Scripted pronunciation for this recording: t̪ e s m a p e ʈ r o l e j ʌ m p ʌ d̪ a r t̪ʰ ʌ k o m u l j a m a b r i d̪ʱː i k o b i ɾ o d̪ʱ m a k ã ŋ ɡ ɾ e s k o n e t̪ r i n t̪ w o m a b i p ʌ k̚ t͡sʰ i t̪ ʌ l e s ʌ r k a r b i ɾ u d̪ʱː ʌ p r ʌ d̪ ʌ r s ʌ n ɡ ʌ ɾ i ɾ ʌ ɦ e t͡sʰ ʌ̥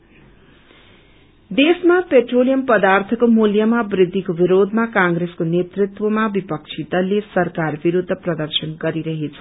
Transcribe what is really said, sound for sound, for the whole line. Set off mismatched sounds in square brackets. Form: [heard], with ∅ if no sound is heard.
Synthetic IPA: [d̪] e s m a p e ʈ r o l [i] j ʌ m p ʌ d̪ a r t̪ʰ ʌ k o m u l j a m a b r i d̪ʱː i k o b i ɾ o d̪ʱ m a k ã ŋ ɡ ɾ e s k o n e t̪ r i [∅] t̪ w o m a b i p ʌ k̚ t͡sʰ i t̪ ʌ l e s ʌ r k a r b i ɾ u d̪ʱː ʌ p r ʌ d̪ ʌ r s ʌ n ɡ ʌ ɾ i ɾ ʌ ɦ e t͡sʰ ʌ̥